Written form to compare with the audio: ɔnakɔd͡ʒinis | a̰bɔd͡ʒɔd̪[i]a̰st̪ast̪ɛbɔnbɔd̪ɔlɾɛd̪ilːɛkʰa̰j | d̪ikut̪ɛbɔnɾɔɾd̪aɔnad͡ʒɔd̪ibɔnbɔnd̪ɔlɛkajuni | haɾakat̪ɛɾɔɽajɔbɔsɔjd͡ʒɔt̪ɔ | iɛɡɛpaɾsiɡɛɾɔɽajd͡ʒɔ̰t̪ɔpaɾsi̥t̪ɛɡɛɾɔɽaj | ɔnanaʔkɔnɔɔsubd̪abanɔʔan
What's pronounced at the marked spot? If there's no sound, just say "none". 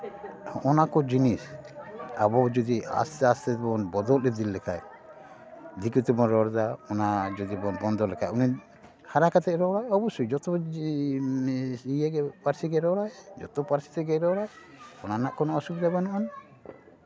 i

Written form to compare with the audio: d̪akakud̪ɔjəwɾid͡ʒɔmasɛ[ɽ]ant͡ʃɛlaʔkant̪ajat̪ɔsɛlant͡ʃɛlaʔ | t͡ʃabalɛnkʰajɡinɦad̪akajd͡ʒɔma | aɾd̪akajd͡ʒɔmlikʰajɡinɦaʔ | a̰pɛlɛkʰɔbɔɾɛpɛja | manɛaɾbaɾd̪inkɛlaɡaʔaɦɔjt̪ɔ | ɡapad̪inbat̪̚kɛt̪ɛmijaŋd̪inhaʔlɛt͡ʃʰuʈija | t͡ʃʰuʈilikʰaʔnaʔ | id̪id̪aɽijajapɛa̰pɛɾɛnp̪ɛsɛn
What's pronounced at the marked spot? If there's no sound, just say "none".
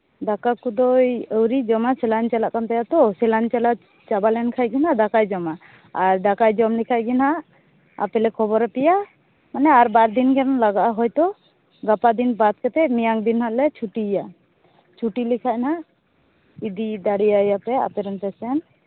l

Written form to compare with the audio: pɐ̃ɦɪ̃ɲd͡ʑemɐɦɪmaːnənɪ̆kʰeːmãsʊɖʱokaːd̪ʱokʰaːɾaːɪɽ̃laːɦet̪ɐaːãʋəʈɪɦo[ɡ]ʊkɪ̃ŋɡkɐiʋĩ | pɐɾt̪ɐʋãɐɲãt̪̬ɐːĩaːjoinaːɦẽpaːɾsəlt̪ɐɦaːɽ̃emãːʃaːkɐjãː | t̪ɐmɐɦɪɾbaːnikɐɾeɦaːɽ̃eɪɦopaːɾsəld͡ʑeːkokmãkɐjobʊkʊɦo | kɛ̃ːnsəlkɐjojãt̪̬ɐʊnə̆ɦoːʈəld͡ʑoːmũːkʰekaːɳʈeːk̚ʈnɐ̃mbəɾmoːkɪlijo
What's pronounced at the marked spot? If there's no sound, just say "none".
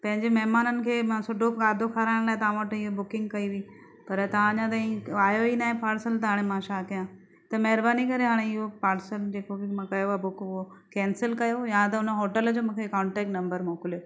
b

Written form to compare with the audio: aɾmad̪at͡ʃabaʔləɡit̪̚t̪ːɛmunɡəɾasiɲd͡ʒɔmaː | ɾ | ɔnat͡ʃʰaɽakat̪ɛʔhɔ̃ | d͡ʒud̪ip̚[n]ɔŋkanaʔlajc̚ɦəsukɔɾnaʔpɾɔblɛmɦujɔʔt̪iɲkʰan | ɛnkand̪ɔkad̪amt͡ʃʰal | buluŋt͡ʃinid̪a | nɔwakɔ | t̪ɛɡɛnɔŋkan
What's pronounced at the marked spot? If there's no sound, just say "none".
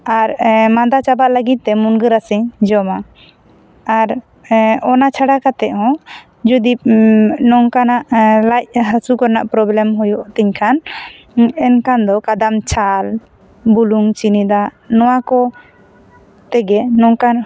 n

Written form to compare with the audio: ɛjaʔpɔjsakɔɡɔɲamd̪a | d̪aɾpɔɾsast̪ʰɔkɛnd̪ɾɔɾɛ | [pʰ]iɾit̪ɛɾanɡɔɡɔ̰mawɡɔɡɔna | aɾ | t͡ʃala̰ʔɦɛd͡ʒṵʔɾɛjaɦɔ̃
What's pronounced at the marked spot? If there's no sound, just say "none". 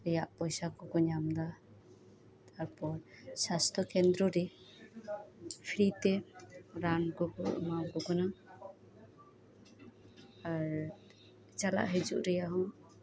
pʰ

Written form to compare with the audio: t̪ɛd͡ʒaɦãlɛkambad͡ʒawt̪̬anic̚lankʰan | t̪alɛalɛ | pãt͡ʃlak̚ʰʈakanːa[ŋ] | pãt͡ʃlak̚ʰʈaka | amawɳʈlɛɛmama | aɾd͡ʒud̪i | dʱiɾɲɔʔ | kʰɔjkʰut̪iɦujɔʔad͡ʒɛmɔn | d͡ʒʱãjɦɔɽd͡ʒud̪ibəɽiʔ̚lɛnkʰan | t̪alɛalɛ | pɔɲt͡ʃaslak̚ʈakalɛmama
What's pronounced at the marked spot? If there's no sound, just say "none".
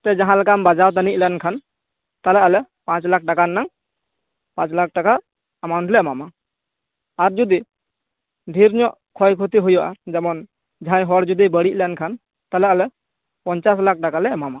ŋ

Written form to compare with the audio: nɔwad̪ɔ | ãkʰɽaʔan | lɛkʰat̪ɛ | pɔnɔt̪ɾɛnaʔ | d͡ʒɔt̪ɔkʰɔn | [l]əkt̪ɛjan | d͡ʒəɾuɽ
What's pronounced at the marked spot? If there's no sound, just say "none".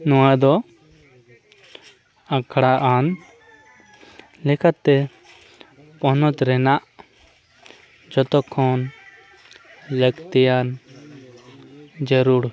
l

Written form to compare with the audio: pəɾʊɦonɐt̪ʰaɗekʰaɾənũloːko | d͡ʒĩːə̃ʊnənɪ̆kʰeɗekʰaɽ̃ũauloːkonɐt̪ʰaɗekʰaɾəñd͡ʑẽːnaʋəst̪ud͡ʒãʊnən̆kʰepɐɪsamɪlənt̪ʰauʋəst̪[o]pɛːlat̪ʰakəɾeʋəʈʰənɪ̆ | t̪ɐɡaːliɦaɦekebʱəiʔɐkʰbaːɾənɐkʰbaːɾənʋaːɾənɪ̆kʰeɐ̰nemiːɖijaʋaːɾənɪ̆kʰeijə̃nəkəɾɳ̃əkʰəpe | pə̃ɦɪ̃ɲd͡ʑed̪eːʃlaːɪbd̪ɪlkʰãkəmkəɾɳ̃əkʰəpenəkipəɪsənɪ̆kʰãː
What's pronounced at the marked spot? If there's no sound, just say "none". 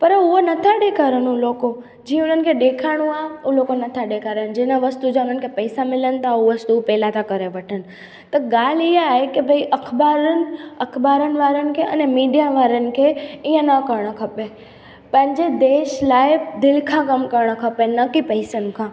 u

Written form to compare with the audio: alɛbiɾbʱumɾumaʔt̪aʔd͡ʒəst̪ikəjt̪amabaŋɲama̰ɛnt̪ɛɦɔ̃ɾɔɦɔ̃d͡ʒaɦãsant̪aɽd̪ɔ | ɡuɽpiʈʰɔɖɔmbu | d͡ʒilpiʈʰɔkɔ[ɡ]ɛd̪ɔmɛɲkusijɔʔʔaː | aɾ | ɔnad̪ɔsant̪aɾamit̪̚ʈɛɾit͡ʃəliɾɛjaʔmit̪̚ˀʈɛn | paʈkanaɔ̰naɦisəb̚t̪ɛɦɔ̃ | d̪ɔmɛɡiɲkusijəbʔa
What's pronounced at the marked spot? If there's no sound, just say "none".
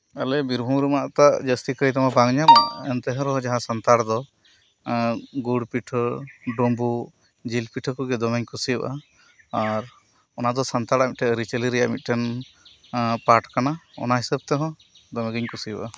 ɡ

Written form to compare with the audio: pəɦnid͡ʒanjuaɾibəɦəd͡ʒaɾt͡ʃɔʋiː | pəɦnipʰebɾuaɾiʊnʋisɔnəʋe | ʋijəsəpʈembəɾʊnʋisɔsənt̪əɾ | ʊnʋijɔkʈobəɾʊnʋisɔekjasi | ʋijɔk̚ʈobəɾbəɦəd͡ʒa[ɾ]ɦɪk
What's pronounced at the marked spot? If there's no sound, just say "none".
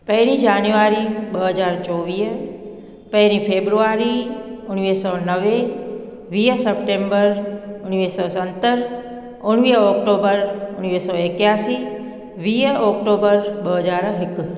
ɾ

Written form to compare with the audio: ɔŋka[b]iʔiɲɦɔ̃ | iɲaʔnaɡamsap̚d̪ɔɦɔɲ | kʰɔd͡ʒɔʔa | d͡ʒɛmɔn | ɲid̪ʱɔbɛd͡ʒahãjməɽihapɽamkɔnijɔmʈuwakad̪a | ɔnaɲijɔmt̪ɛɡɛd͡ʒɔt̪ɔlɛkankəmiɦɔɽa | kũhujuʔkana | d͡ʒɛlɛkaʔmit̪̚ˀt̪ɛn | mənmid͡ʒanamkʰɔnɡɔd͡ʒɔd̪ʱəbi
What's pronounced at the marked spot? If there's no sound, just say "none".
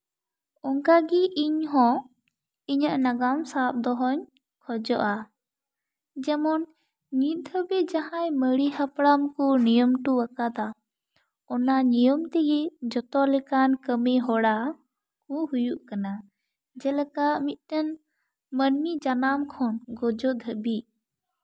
ɡ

